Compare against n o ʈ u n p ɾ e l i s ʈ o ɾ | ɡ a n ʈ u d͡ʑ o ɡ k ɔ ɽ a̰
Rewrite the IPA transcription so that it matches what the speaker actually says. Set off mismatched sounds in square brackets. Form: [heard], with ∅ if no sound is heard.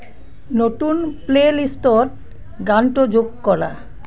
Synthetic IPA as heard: n o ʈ u n p [l] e l i s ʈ o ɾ | ɡ a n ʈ [o] d͡ʑ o ɡ k ɔ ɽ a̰